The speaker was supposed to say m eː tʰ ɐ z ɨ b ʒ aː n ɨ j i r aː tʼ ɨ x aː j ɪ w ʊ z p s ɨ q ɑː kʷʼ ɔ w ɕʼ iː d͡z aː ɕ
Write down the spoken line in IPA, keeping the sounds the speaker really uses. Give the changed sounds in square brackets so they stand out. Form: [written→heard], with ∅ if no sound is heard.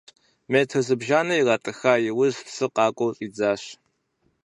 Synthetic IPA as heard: m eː tʰ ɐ z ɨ b ʒ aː n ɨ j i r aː tʼ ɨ x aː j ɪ w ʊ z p s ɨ q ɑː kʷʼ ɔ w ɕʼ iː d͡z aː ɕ